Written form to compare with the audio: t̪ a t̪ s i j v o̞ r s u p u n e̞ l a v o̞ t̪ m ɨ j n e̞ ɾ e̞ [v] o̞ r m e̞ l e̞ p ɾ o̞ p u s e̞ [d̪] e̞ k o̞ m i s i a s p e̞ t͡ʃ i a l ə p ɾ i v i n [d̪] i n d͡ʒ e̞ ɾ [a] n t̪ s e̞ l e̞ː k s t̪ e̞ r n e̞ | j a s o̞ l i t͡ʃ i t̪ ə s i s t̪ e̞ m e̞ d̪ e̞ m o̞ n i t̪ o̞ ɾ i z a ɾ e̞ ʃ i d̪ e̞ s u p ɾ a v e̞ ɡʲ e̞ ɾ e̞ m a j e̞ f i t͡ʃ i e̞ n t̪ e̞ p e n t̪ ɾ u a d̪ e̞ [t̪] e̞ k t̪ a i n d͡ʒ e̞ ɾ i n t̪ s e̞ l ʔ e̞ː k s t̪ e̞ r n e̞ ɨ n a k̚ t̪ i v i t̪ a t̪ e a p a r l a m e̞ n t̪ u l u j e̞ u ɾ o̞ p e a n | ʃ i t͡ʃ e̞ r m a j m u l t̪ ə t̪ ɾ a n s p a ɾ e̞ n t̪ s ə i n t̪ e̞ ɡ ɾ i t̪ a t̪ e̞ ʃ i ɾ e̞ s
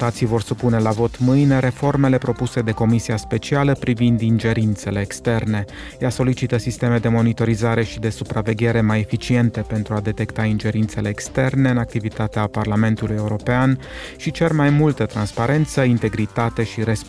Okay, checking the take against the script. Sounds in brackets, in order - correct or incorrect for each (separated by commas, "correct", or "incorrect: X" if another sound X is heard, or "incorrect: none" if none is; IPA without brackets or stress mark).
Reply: incorrect: f, correct, correct, incorrect: i, correct